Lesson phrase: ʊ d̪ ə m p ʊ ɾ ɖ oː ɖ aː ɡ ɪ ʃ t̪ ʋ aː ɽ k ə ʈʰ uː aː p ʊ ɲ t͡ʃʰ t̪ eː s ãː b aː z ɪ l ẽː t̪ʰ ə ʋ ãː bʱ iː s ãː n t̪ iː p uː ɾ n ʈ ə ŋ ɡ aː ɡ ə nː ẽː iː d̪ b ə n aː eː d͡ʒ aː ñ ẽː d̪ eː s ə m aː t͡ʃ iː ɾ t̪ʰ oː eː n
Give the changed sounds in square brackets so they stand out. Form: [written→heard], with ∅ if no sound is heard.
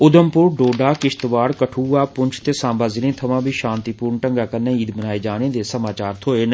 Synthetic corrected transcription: ʊ d̪ ə m p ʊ ɾ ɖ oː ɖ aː [ɡ→k] ɪ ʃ t̪ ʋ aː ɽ k ə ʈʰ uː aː p ʊ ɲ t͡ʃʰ t̪ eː s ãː b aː z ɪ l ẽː t̪ʰ ə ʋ ãː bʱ iː [s→ʃ] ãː n t̪ iː p uː ɾ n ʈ ə ŋ ɡ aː [ɡ→k] ə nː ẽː iː d̪ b ə n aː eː d͡ʒ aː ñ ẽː d̪ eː s ə m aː t͡ʃ [iː→aː] ɾ t̪ʰ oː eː n